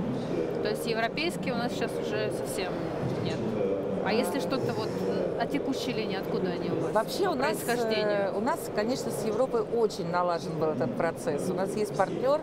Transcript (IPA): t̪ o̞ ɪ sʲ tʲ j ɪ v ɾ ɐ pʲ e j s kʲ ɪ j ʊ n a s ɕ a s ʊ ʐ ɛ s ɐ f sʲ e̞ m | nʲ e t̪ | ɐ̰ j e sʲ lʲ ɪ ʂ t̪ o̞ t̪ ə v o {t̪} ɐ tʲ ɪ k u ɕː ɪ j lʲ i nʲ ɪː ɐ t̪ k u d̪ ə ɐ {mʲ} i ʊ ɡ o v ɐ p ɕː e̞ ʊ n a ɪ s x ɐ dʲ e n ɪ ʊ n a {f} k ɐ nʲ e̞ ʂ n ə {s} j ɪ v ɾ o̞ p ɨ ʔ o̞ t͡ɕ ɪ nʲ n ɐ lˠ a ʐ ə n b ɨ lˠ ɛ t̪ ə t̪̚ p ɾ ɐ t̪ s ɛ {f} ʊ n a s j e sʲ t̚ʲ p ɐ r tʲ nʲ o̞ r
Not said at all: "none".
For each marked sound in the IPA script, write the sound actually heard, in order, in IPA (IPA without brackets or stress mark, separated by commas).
t̪, nʲ, s, s, s